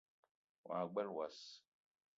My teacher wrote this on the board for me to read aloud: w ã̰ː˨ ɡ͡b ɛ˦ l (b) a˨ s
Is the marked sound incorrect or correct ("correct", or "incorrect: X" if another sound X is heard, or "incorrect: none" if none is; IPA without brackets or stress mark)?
incorrect: w